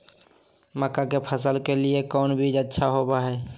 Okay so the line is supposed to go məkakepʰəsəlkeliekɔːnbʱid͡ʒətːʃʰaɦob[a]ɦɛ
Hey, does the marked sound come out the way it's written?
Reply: yes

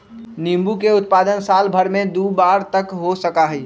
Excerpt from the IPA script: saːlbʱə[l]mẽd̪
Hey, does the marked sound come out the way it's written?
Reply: no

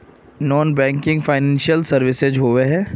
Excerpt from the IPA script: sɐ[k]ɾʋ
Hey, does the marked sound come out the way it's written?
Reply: no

